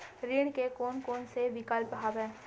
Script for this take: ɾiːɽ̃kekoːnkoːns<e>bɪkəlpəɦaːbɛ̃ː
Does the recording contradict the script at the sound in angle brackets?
no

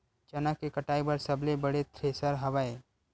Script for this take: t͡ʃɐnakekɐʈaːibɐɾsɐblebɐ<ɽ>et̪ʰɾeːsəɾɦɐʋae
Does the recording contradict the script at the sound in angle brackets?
no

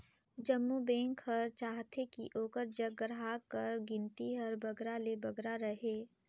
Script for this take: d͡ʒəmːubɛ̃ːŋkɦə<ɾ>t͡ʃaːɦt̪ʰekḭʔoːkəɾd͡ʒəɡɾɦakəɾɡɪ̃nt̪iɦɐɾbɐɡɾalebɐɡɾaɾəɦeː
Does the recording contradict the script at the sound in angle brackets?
no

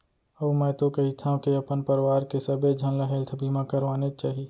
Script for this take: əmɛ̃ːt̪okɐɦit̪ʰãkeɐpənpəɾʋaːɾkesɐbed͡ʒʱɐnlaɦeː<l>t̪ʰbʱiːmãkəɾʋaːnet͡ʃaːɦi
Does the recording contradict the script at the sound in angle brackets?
no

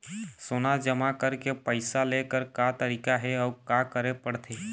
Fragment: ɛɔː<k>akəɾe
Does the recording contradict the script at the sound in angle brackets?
no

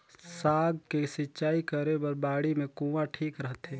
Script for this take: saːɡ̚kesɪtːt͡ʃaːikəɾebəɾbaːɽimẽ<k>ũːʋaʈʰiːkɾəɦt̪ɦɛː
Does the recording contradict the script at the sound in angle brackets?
no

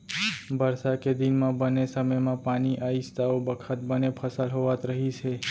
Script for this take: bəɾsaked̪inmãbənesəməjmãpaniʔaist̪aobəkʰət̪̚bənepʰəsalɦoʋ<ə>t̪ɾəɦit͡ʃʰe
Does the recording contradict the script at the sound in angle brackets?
yes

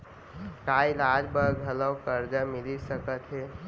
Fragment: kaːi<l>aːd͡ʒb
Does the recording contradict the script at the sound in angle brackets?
no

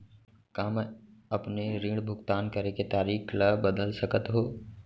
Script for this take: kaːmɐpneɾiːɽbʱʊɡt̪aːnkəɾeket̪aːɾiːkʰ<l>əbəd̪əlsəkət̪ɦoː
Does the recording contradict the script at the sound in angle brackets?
no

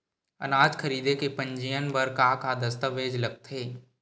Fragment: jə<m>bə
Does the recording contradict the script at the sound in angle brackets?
yes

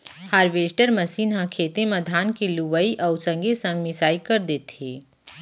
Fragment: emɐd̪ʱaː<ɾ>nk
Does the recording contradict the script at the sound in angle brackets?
yes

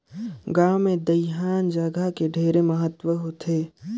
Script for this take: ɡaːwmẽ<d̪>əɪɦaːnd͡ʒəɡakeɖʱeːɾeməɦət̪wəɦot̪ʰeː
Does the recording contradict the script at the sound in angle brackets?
no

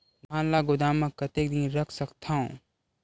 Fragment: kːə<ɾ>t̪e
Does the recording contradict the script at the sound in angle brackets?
yes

